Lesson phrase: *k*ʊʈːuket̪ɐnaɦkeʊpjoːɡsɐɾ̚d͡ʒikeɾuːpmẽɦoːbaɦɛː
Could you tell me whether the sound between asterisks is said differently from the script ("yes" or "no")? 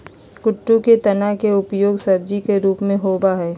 no